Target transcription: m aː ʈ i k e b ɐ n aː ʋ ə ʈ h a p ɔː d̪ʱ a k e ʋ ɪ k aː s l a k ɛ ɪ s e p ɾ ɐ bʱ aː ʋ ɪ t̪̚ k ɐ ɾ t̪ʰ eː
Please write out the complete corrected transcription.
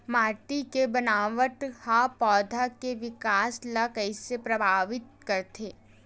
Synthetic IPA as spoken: m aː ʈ i k e b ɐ n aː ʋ ə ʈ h a p ɔː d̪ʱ a k e ʋ ɪ k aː s l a k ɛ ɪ s e p ɾ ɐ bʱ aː ʋ ɪ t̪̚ k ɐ ɾ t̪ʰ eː